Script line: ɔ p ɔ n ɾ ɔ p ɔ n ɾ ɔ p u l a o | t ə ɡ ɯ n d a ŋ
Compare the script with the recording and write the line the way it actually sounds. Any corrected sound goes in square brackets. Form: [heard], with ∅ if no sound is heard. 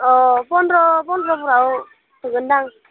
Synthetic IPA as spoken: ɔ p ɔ n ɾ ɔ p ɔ n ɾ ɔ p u [ɾ] a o | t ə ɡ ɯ n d a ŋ